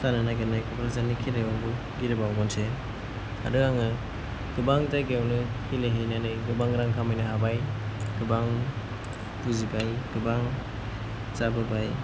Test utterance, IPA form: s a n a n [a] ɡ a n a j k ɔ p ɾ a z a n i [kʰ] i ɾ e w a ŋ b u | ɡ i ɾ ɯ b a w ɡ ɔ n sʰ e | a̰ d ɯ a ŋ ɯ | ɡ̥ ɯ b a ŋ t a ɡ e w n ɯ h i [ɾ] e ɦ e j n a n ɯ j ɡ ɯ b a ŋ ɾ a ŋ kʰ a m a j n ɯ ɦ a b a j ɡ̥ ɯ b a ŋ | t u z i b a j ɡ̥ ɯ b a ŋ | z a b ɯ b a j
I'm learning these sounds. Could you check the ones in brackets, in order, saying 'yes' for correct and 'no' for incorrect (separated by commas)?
yes, yes, no